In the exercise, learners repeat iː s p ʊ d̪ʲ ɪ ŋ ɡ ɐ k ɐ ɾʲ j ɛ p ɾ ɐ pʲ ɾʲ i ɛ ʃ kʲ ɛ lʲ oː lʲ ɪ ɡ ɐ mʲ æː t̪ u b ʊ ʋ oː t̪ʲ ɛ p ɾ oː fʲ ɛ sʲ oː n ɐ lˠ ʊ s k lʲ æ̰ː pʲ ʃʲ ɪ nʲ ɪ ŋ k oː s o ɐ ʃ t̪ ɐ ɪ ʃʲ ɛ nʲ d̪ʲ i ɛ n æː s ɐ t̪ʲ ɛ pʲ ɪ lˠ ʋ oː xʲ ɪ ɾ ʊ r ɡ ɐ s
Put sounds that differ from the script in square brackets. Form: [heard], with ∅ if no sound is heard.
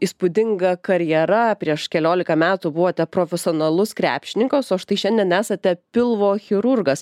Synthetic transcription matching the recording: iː s p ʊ d̪ʲ ɪ ŋ ɡ ɐ k ɐ ɾʲ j ɛ [∅] ɾ ɐ pʲ ɾʲ i ɛ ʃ kʲ ɛ lʲ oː lʲ ɪ [k] ɐ mʲ æː t̪ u b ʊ ʋ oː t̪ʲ ɛ p ɾ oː fʲ ɛ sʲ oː n ɐ lˠ ʊ s k [ɾʲ] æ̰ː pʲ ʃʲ ɪ nʲ ɪ ŋ k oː s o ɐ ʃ t̪ ɐ ɪ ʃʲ ɛ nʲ d̪ʲ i ɛ n æː s ɐ t̪ʲ ɛ pʲ ɪ lˠ ʋ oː xʲ ɪ ɾ ʊ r ɡ ɐ s